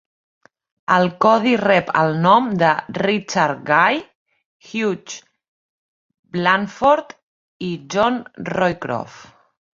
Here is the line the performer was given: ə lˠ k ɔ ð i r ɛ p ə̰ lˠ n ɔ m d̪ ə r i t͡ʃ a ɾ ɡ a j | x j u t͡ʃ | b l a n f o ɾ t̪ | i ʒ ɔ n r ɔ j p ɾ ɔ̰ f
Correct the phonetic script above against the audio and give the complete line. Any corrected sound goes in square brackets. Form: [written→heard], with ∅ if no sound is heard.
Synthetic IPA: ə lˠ k ɔ ð i r ɛ p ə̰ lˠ n ɔ m d̪ ə r i t͡ʃ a ɾ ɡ a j | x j u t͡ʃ | b l a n f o ɾ t̪ | i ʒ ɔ n r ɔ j [p→k] ɾ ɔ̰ f